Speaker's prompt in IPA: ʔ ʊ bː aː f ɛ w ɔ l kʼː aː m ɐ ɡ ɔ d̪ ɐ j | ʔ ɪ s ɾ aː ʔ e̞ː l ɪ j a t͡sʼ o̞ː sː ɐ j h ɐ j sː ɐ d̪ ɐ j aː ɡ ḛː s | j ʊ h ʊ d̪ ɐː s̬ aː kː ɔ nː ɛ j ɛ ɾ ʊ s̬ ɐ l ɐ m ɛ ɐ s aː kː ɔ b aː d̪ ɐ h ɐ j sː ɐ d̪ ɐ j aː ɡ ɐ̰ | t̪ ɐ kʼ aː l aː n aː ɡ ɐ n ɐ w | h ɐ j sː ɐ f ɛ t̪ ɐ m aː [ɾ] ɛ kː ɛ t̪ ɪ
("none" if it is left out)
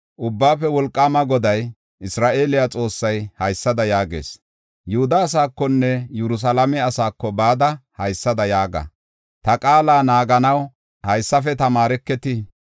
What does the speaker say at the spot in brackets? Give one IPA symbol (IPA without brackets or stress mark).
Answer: ɾ